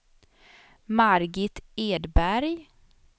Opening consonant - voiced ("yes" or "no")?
yes